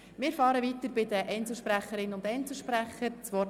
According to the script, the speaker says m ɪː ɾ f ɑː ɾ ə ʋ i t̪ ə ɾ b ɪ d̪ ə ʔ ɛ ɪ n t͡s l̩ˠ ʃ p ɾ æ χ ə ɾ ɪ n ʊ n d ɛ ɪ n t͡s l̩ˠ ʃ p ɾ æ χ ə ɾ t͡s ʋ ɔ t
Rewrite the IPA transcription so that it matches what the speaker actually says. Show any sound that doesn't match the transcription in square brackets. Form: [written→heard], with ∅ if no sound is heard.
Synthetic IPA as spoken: m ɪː ɾ f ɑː ɾ ə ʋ i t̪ ə ɾ b ɪ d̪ ə ʔ ɛ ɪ n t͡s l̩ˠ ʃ p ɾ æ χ ə ɾ ɪ n ʊ n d ɛ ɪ n t͡s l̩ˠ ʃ p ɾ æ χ ə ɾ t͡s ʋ ɔ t

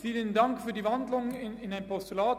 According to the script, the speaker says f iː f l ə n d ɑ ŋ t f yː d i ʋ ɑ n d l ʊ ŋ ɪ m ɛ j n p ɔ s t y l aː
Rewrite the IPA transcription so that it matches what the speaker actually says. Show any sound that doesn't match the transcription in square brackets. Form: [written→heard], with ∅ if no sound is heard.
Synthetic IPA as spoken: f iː [f→∅] l ə n d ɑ ŋ [t→k] f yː d i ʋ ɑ n d l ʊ ŋ ɪ [m→n] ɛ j n p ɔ s t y l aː

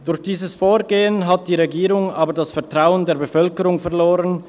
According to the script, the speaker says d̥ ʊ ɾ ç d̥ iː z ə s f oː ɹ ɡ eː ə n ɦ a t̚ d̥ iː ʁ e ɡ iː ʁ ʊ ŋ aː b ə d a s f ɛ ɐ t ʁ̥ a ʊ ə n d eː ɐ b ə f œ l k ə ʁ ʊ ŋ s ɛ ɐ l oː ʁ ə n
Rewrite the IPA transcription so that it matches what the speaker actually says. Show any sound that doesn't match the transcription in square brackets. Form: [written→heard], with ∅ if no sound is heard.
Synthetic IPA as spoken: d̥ ʊ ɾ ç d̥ iː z ə s f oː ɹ ɡ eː ə n ɦ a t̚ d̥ iː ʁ e ɡ iː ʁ ʊ ŋ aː b ə d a s f ɛ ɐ t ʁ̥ a ʊ ə n d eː ɐ b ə f œ l k ə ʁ ʊ ŋ [s→f] ɛ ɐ l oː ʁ ə n

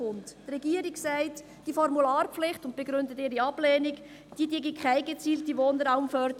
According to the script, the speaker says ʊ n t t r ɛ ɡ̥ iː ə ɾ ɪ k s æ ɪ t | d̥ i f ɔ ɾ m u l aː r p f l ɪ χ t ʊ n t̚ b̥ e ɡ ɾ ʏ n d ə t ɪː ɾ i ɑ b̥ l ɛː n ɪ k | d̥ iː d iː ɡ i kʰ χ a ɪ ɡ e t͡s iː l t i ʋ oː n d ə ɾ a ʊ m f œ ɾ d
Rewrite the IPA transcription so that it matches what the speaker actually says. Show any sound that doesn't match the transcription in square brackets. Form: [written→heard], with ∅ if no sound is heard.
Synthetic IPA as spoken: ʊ n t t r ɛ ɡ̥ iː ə ɾ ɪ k s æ ɪ t | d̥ i f ɔ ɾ m u l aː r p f l ɪ χ t ʊ n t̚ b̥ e ɡ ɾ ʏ n d ə t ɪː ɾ i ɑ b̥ l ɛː n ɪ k | d̥ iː d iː ɡ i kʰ χ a ɪ ɡ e t͡s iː l t i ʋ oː n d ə ɾ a ʊ m f œ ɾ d

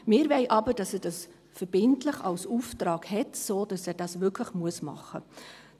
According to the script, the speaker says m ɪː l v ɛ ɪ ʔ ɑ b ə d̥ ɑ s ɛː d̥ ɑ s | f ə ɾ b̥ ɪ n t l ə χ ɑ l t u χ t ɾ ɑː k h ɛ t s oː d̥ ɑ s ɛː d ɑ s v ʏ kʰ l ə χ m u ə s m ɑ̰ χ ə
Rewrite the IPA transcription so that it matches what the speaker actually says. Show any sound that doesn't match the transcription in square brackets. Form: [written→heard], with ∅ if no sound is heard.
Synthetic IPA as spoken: m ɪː [l→ɾ] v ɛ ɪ ʔ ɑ b ə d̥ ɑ s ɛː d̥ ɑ s | f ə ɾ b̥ ɪ n t l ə χ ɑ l [t→s] u [χ→f] t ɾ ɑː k h ɛ t s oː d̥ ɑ s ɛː d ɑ s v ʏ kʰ l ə χ m u ə s m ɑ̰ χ ə

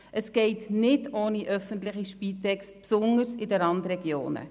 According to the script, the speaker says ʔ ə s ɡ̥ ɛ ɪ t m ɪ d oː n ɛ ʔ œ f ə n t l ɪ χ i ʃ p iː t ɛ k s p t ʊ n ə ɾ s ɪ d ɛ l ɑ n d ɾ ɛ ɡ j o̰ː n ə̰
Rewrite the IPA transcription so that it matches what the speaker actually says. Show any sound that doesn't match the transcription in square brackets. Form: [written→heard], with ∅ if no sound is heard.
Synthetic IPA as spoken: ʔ ə s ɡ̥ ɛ ɪ t [m→n] ɪ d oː n [ɛ→i] ʔ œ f ə n t l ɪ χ i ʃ p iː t ɛ k s p [t→s] ʊ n ə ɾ s ɪ d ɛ [l→ɾ] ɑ n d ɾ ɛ ɡ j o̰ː n ə̰

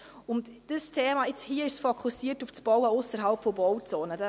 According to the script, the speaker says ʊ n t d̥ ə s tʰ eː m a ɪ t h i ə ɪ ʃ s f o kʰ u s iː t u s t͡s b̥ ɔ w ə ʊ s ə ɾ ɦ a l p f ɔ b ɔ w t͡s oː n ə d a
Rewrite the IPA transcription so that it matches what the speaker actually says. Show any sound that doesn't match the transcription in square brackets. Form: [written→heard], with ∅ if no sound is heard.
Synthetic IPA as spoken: ʊ n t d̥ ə s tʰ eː m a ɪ [t→t͡s] h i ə ɪ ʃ s f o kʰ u s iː t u [s→f] t͡s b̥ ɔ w ə ʊ s ə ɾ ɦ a l p f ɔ b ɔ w t͡s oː n ə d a

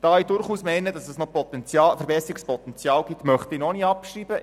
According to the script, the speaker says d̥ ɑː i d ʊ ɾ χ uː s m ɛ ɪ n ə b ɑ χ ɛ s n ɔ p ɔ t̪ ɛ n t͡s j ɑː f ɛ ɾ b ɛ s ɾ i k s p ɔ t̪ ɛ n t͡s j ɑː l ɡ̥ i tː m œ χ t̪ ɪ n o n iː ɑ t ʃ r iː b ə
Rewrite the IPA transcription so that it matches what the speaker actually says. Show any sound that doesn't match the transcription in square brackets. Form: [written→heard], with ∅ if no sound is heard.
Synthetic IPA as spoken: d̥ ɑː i d ʊ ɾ χ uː s m ɛ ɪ n ə [b→d] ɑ [χ→s] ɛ s n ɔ p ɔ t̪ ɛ n t͡s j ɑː f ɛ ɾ b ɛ s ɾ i k s p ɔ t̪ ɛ n t͡s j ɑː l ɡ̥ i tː m œ χ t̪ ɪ n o n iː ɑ [t→p] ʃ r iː b ə

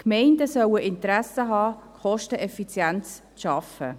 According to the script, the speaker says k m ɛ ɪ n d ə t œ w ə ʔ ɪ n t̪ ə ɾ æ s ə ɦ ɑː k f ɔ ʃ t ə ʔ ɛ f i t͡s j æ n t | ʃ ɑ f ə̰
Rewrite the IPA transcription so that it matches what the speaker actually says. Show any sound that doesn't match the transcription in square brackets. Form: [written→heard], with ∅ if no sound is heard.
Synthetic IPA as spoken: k m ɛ ɪ n d ə [t→s] œ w ə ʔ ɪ n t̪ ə ɾ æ s ə ɦ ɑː k [f→χ] ɔ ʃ t ə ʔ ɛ f i t͡s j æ n [t→t͡s] | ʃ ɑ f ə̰

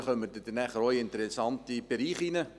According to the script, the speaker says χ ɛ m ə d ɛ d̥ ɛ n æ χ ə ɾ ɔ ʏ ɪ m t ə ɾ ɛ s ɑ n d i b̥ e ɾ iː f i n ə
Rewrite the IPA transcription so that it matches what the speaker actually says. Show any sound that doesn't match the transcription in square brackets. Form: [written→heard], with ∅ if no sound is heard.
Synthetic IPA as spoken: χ [ɛ→œ] m ə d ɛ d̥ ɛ n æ χ ə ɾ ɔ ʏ ɪ [m→n] t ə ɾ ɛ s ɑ n [d→t] i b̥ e ɾ iː [f→χ] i n ə

